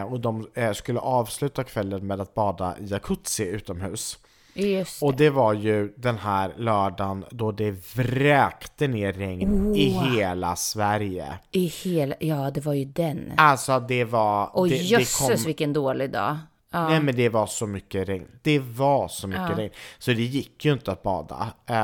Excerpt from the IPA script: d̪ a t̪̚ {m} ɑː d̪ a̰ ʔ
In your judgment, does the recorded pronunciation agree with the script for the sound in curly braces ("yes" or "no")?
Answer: no